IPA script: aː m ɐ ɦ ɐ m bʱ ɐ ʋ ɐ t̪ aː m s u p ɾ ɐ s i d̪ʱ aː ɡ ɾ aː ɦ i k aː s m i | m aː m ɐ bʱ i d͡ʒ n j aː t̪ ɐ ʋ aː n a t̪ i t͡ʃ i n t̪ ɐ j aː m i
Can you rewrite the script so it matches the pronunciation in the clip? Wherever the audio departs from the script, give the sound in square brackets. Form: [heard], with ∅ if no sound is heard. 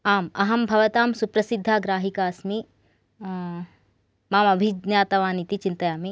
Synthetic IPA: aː m ɐ ɦ ɐ m bʱ ɐ ʋ ɐ t̪ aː m s u p ɾ ɐ s i [d̪ʱː] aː ɡ ɾ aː ɦ i k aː s m i | m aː m ɐ bʱ i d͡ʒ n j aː t̪ ɐ ʋ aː n [i] t̪ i t͡ʃ i n t̪ ɐ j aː m i